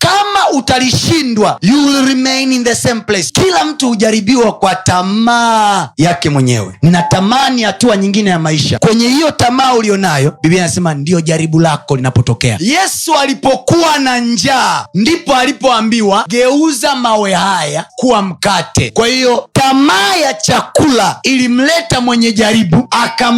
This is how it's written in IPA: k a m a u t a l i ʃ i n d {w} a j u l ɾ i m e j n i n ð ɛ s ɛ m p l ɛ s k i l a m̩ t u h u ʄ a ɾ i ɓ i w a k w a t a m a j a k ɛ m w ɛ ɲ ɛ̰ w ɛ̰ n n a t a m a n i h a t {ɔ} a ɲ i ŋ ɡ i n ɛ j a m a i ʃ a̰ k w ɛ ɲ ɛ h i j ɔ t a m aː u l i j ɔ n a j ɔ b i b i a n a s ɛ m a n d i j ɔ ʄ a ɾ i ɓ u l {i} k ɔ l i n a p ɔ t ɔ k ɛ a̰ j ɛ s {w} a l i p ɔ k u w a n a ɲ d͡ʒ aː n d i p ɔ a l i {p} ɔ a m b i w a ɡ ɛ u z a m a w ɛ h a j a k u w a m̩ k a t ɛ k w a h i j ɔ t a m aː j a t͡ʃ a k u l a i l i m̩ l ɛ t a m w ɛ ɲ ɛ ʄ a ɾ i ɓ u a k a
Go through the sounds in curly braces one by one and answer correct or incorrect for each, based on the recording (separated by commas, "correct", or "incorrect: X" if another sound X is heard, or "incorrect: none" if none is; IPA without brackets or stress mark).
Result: correct, incorrect: u, incorrect: a, incorrect: u, correct